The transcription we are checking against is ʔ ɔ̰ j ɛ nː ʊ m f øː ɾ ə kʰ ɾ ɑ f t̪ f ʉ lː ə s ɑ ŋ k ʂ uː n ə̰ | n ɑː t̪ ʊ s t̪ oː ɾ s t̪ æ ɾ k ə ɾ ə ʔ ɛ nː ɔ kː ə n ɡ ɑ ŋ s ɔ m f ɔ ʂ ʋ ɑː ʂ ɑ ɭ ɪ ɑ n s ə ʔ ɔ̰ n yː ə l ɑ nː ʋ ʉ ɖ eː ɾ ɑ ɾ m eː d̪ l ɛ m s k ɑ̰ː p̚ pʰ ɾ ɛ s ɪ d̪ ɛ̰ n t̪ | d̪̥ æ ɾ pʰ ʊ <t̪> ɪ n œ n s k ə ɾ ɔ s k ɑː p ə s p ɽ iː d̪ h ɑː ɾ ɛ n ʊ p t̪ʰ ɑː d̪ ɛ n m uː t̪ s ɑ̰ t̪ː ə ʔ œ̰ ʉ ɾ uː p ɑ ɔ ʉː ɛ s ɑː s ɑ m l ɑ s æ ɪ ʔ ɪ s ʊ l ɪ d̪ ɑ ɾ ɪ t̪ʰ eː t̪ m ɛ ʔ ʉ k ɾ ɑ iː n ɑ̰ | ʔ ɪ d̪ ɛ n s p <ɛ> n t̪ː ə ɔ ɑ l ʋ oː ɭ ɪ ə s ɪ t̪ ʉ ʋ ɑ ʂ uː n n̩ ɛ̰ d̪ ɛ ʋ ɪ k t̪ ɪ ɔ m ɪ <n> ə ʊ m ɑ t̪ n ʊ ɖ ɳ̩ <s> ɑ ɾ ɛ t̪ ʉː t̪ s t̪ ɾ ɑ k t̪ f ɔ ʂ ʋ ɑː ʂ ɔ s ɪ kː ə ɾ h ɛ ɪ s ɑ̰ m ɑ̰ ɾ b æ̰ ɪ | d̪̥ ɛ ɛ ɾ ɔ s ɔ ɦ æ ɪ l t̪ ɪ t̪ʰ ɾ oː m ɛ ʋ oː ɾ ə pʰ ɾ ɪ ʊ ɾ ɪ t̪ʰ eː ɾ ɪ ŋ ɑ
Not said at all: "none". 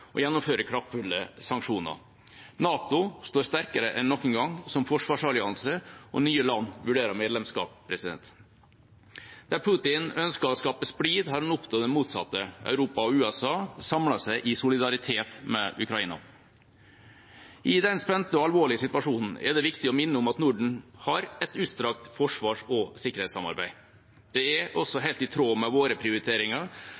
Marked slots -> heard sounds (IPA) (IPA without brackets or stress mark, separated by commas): t̪, ɛ, nː, h